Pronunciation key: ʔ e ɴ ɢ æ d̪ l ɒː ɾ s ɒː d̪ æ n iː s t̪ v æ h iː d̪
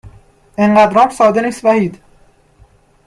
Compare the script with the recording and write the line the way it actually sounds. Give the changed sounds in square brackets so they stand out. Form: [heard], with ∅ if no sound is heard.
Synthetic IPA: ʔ e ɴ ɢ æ d̪ [ɾ] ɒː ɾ s ɒː d̪ [e] n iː s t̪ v æ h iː d̪